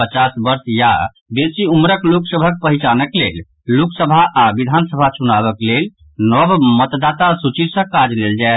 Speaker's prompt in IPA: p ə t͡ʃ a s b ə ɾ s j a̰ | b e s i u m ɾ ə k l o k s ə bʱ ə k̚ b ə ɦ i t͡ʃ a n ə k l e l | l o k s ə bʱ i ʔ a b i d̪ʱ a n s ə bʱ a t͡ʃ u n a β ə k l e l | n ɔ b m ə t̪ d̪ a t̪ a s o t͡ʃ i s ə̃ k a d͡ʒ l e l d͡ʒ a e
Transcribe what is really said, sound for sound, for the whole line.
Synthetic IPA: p ə t͡ʃ a s b ə ɾ s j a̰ | b e s i u m ɾ ə k l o k s ə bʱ ə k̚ p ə ɦ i t͡ʃ a n ə k l e l | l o k s ə bʱ a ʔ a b i d̪ʱ a n s ə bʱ a t͡ʃ u n a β ə k l e l | n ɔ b m ə t̪ d̪ a t̪ a s u t͡ʃ i s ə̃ k a d͡ʒ l e l d͡ʒ a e